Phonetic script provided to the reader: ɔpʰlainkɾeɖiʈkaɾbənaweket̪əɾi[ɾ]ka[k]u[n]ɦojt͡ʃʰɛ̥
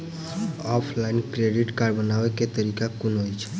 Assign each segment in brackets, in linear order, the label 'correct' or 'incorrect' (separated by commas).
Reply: incorrect, correct, correct